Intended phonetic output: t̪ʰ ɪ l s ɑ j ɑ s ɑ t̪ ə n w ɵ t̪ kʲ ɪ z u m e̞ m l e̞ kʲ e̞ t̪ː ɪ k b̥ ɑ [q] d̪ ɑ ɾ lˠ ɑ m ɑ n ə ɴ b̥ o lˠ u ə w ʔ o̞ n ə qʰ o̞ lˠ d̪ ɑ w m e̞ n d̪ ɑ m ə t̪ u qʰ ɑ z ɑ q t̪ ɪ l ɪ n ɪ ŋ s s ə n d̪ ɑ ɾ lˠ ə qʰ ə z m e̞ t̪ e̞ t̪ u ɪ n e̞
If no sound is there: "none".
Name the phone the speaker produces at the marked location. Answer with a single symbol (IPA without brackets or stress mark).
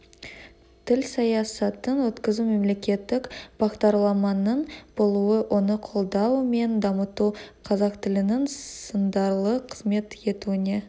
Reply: q